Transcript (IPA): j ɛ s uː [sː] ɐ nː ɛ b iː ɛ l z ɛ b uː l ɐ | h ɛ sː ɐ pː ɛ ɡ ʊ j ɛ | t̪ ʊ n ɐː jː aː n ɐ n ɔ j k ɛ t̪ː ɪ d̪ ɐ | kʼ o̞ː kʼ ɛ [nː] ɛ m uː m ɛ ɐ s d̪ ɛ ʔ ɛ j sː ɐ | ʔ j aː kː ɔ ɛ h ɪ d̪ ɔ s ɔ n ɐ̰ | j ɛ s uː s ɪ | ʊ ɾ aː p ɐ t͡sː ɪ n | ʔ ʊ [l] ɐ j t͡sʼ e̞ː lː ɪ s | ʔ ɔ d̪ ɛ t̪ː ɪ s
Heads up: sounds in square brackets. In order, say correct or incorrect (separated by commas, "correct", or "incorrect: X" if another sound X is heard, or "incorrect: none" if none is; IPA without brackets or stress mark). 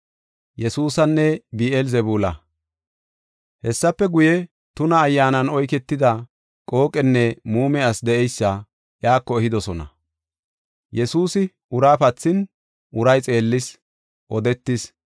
incorrect: s, correct, incorrect: ɾ